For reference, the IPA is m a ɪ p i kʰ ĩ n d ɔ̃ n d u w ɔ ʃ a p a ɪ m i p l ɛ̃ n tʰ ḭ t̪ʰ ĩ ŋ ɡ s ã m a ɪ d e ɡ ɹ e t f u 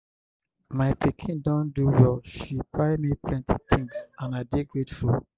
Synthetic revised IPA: m a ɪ p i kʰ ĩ n d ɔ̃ n d u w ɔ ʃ i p a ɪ m i p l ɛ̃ n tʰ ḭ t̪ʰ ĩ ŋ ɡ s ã n a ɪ d e ɡ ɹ e t f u